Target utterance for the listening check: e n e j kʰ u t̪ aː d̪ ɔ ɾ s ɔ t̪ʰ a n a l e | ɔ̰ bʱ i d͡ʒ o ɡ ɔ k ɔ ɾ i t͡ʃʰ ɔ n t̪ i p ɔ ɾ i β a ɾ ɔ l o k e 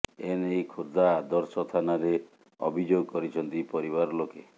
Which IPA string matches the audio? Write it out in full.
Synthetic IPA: e n e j kʰ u d̪ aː d̪ ɔ ɾ s ɔ t̪ʰ a n a ɾ e | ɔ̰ bʱ i d͡ʒ o ɡ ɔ k ɔ ɾ i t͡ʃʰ ɔ n t̪ i p ɔ ɾ i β a ɾ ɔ l o k e